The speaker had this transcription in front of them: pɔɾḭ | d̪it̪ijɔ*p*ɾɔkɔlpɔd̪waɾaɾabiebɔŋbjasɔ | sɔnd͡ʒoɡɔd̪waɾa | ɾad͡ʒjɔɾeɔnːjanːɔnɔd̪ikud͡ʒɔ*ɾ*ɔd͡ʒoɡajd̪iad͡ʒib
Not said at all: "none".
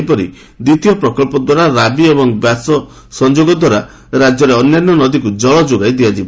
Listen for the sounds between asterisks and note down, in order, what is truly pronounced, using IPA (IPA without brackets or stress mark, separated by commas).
p, ɭ